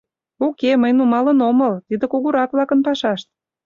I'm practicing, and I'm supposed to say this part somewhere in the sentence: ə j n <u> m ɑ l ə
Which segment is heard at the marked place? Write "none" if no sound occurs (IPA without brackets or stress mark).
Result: u